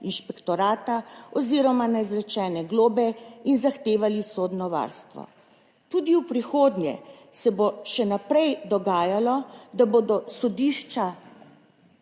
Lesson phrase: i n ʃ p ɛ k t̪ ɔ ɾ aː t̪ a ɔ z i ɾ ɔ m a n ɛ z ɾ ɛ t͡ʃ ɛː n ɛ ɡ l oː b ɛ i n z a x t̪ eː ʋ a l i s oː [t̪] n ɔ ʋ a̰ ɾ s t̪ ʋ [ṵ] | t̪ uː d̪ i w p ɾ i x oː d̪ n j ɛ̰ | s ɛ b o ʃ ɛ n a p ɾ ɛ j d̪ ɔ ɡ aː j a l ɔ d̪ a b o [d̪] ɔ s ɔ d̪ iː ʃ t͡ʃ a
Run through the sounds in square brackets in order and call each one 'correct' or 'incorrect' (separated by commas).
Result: incorrect, incorrect, correct